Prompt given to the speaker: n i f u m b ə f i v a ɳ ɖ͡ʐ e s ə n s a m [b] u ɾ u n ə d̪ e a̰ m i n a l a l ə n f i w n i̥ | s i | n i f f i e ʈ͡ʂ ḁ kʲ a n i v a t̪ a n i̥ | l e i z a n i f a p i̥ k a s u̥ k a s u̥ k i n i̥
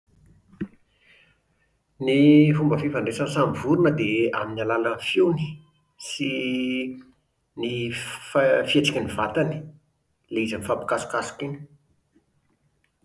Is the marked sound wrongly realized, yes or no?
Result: yes